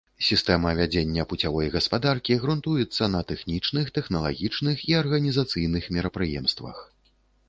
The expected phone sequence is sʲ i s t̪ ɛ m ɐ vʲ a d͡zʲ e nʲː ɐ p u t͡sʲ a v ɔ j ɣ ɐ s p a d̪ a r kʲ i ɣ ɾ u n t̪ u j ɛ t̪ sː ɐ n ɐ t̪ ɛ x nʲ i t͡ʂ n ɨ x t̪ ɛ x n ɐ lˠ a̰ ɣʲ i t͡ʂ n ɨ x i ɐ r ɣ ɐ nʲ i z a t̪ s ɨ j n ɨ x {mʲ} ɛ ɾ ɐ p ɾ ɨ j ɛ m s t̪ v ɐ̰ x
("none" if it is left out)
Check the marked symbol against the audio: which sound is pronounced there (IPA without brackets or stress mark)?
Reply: mʲ